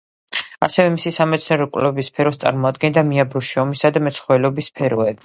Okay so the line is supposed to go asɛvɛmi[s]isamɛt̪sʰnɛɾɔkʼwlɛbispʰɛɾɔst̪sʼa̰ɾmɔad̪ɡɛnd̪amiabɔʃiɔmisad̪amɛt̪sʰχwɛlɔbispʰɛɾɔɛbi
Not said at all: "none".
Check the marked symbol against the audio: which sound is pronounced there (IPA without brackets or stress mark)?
s